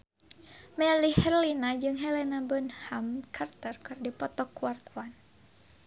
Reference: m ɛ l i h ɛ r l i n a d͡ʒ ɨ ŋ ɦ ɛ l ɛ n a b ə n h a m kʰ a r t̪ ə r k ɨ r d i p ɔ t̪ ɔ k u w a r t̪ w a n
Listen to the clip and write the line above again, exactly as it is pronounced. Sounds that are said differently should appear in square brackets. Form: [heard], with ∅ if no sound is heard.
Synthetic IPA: m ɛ l i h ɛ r l i n a d͡ʒ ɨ ŋ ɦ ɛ l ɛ n a b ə n h a m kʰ a r t̪ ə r k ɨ r d i p ɔ t̪ ɔ k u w a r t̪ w a n